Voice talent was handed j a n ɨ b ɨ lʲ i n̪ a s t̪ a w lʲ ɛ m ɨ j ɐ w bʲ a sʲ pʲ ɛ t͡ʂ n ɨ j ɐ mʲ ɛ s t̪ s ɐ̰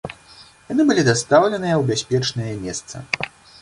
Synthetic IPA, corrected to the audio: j a n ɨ b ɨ lʲ i d̪ a s t̪ a w lʲ ɛ n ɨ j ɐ w bʲ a sʲ pʲ ɛ t͡ʂ n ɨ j ɐ mʲ ɛ s t̪ s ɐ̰